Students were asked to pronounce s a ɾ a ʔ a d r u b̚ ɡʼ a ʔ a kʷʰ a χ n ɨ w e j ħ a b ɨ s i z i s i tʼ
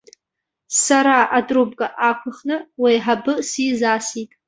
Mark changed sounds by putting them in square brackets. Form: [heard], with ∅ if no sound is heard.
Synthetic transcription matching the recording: s a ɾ a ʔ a d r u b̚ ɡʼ a ʔ a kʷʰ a χ n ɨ w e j ħ a b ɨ s i z [a] s i tʼ